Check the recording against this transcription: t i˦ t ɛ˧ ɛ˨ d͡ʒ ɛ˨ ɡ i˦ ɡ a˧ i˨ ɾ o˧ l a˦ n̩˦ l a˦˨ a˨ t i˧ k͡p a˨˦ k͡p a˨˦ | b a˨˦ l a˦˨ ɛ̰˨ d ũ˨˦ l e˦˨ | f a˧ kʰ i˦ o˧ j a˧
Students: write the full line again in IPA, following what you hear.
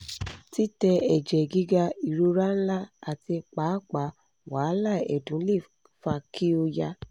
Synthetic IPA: t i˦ t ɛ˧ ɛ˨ d͡ʒ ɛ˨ ɡ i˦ ɡ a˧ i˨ ɾ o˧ ɾ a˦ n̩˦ l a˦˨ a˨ t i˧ k͡p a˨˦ k͡p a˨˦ | w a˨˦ l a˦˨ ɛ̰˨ d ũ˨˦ l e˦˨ | f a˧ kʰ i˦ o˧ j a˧